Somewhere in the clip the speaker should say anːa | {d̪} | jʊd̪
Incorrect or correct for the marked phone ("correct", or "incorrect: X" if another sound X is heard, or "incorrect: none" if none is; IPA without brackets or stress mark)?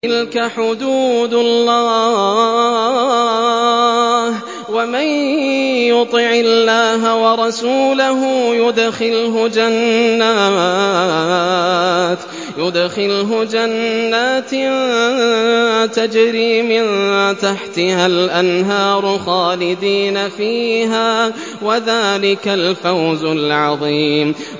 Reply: incorrect: t̪